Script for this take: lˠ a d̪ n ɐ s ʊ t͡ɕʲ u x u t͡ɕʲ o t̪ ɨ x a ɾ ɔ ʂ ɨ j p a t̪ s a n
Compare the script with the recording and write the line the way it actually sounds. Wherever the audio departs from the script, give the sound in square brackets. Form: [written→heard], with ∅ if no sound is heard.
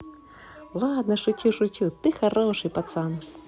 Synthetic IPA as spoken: lˠ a d̪ n ɐ [s→ʂ] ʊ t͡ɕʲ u [x→ʂ] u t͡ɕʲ [o→u] t̪ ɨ x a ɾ ɔ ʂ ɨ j p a t̪ s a n